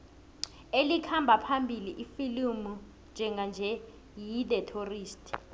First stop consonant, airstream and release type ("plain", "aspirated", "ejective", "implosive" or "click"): aspirated